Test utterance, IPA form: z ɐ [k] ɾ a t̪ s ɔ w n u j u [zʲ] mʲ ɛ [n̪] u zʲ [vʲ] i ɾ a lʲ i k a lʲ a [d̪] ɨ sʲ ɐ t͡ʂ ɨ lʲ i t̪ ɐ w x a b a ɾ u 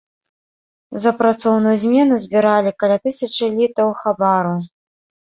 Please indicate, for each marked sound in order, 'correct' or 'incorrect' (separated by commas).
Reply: incorrect, correct, correct, incorrect, incorrect